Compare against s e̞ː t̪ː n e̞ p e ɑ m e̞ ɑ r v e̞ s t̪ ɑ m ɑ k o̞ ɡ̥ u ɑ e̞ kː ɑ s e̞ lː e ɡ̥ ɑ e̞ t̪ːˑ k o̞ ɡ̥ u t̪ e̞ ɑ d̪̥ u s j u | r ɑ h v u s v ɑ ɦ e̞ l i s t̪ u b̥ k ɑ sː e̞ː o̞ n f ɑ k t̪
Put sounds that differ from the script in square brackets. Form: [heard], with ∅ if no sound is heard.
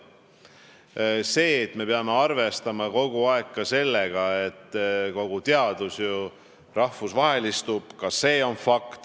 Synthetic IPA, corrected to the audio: s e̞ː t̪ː [m] e̞ p e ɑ m e̞ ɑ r v e̞ s t̪ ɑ m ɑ k o̞ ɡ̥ u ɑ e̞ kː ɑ s e̞ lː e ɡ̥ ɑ e̞ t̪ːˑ k o̞ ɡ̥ u t̪ e̞ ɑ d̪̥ u s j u | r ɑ h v u s v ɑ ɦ e̞ l i s t̪ u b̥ k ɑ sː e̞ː o̞ n f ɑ k t̪